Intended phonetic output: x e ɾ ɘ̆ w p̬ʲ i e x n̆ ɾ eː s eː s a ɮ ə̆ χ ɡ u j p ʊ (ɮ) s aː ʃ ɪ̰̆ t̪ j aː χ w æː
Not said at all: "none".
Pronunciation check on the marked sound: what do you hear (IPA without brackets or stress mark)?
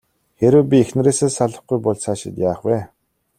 ɮ